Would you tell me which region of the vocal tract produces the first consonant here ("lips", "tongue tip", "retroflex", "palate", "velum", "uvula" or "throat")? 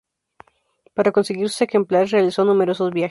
lips